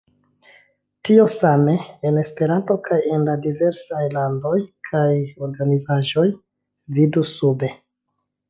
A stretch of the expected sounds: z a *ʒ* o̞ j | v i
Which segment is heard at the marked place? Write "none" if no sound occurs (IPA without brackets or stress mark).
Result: ʒ